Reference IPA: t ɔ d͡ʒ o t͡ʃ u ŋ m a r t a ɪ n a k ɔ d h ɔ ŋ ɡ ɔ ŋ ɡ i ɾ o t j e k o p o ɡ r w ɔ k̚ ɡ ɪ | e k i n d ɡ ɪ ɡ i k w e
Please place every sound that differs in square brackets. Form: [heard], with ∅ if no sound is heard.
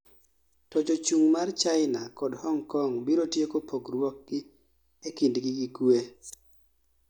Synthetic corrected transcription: t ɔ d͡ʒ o t͡ʃ u ŋ m a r [t͡ʃ] a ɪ n a k ɔ d h ɔ ŋ [k] ɔ ŋ [b] i ɾ o t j e k o p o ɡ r w ɔ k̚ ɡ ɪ | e k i n d ɡ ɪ ɡ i k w e